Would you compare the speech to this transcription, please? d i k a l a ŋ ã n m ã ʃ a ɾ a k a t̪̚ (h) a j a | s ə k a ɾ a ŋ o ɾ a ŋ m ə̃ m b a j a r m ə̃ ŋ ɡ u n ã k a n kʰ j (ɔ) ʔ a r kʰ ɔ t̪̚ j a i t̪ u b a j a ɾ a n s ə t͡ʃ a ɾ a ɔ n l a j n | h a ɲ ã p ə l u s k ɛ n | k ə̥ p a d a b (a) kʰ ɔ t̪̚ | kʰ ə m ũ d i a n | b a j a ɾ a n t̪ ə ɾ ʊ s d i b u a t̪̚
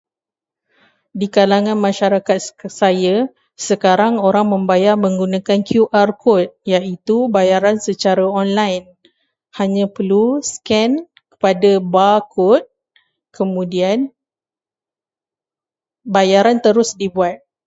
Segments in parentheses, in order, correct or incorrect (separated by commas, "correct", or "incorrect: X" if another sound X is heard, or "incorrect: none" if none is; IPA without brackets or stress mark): incorrect: s, incorrect: u, correct